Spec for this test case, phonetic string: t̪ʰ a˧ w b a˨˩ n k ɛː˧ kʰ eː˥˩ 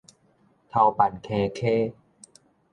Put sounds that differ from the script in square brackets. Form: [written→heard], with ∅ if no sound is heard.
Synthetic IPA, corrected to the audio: t̪ʰ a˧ w [b→p] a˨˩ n [k→kʰ] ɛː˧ kʰ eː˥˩